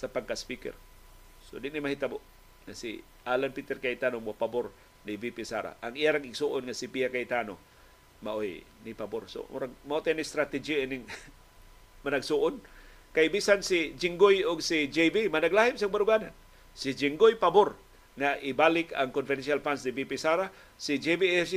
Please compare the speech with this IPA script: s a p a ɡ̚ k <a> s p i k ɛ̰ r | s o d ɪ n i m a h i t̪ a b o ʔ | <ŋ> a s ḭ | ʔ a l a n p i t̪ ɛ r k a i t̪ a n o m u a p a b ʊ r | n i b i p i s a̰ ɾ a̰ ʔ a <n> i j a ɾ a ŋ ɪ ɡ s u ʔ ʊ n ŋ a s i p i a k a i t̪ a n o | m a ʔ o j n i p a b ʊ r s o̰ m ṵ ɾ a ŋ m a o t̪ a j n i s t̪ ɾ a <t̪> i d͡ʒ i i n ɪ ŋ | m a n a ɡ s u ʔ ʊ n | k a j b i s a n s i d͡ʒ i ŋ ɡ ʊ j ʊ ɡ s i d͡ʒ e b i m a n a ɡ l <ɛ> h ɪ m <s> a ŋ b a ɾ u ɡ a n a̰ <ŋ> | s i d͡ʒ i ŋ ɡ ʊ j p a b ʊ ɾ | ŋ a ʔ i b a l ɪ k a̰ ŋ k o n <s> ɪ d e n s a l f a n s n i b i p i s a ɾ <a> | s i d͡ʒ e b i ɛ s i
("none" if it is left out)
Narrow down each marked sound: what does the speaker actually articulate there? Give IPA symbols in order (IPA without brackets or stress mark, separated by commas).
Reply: a, ŋ, ŋ, t̪, a, s, n, f, a